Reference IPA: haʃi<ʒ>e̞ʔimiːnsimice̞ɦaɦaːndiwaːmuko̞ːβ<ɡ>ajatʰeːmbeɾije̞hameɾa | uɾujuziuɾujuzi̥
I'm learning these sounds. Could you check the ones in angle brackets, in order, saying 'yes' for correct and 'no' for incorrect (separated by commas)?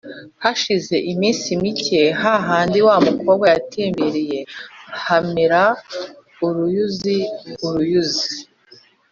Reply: no, yes